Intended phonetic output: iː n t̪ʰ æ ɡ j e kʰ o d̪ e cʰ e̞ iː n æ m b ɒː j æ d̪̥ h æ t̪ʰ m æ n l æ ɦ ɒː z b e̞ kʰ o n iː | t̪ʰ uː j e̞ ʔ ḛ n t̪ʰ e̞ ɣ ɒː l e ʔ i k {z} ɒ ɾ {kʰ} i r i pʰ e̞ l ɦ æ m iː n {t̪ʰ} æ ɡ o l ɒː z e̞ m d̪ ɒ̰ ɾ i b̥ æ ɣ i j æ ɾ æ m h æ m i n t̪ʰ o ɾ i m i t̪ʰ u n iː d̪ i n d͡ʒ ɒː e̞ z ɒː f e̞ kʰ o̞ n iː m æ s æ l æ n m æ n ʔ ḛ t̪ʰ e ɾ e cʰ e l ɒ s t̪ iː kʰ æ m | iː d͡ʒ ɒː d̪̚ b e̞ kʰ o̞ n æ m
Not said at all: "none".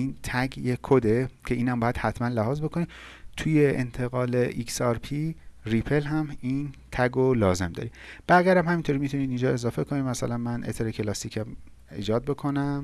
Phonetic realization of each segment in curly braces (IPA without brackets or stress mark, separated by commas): s, pʰ, t̪ʰ